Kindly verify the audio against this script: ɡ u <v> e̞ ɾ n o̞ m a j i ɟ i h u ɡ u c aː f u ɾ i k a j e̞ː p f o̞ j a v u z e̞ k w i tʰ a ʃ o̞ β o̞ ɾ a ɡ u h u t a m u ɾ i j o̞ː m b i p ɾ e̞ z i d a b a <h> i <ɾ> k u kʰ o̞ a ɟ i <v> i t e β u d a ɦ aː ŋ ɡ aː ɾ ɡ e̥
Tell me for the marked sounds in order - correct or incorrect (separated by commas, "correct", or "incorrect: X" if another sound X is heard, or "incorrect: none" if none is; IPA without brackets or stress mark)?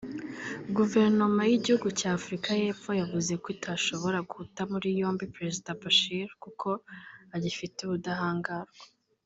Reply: correct, incorrect: ʃ, correct, incorrect: f